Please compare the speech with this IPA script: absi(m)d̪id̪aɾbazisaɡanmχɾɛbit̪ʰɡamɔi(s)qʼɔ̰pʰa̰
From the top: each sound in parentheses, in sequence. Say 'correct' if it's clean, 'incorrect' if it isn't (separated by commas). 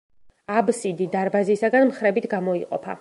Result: incorrect, incorrect